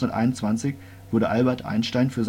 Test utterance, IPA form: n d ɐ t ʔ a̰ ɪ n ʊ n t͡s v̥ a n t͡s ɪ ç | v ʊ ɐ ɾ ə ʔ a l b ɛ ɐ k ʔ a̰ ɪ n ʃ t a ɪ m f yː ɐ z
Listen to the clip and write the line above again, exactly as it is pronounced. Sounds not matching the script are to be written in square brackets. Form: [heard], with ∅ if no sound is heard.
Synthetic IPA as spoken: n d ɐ t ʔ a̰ ɪ n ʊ n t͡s v̥ a n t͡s ɪ ç | v ʊ ɐ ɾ ə ʔ a l b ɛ ɐ [t] ʔ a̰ ɪ n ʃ t a ɪ [n] f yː ɐ z